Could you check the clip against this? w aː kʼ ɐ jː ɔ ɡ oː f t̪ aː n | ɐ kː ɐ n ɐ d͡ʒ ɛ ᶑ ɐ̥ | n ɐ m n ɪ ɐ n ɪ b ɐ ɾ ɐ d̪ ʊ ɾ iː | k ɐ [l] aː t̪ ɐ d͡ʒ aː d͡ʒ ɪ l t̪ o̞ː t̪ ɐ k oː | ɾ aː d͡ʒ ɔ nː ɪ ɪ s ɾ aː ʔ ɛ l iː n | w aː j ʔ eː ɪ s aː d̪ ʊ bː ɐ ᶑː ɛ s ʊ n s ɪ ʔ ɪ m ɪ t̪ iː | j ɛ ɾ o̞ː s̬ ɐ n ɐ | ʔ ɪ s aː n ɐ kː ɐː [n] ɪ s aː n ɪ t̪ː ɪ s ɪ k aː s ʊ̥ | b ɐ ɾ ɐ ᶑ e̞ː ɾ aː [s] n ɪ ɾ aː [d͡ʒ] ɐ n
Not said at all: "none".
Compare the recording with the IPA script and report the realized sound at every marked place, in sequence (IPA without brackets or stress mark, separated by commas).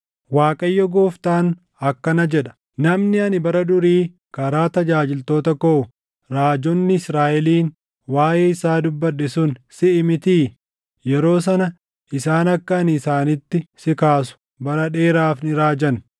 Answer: ɾ, n, f, d͡ʒ